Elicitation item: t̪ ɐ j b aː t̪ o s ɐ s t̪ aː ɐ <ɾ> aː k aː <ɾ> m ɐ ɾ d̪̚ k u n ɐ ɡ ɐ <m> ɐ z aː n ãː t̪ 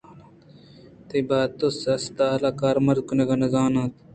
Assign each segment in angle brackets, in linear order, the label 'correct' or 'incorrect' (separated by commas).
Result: incorrect, correct, incorrect